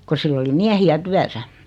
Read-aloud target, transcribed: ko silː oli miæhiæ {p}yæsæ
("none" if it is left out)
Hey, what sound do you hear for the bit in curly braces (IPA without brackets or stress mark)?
t